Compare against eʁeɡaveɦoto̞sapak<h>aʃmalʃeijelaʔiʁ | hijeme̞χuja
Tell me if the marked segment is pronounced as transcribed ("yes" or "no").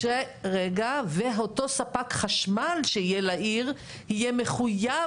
no